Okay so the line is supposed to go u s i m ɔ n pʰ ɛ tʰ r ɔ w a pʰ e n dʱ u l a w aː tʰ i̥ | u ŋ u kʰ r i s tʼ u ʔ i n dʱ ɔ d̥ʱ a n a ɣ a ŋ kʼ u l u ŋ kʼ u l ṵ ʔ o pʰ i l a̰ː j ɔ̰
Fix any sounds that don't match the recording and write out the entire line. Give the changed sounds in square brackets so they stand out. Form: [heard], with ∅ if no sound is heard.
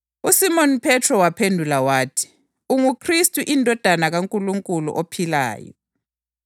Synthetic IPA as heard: u s i m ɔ n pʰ ɛ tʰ r ɔ w a pʰ e n dʱ u l a w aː tʰ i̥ | u ŋ u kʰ r i s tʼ u ʔ i n dʱ ɔ d̥ʱ a n a ɣ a ŋ kʼ u l u ŋ kʼ u l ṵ ʔ o pʰ i l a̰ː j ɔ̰